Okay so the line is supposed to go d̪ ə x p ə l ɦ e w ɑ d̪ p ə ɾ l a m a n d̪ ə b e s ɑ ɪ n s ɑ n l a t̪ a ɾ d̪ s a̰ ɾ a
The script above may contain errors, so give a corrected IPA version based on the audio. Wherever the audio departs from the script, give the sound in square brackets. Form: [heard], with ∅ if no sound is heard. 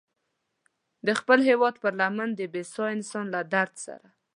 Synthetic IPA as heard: d̪ ə x p ə l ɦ e w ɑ d̪ p ə ɾ l a m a n d̪ ə b e s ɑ ɪ n s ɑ n l a [d̪] a ɾ d̪ s a̰ ɾ a